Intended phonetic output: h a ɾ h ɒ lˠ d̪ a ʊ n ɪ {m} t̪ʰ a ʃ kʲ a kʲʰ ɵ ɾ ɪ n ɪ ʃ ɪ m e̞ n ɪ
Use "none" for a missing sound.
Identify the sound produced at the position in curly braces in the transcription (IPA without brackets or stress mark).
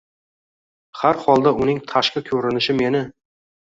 ŋ